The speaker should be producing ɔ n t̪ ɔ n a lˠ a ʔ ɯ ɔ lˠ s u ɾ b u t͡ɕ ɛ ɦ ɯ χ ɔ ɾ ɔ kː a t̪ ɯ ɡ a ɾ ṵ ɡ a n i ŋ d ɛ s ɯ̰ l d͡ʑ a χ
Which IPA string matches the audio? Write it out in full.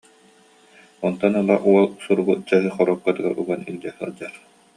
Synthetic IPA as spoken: ɔ n t̪ ɔ n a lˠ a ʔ u ɔ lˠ s u ɾ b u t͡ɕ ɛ ɦ ɯ χ ɔ ɾ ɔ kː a t̪ ɯ ɡ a ɾ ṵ ɡ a n i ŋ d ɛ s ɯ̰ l d͡ʑ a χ